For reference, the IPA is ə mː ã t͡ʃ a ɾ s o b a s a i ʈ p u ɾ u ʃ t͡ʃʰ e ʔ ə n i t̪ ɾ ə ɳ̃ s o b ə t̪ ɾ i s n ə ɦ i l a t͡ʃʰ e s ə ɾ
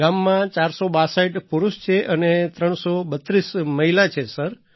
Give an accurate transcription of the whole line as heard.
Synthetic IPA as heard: a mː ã t͡ʃ a ɾ s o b a s a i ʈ p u ɾ u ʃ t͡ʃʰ e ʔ ə n e t̪ ɾ ə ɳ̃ s o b ə t̪ ɾ i s m ə ɦ i l a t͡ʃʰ e s ə ɾ